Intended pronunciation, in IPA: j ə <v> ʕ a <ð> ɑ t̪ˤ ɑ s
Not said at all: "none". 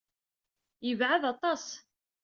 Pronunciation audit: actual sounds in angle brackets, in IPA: v, ð

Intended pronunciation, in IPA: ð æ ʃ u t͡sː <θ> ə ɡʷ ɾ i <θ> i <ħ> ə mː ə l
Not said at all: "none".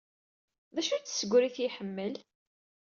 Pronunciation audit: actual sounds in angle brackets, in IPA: s, θ, ħ

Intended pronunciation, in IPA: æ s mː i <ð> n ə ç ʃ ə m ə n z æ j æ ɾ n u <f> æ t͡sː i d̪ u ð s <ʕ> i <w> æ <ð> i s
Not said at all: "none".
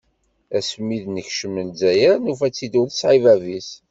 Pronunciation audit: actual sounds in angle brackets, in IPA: ð, f, ʕ, v, v

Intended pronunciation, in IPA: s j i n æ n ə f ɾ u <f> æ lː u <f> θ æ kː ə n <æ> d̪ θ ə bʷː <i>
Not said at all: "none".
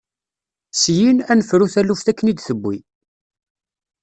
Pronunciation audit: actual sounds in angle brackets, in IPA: θ, f, i, i

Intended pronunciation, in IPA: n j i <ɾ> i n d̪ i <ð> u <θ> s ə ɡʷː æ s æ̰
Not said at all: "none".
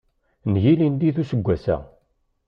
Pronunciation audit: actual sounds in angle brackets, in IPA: l, θ, none

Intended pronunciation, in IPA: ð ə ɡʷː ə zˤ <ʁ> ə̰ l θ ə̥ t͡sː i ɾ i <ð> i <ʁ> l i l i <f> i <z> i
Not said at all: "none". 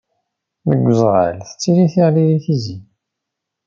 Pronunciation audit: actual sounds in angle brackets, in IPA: ʁ, θ, ʁ, θ, z

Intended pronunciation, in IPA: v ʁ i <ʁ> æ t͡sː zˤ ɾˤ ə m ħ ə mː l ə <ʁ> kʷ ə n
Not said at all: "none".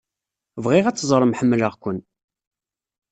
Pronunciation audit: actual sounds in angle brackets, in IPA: ʁ, ʁ

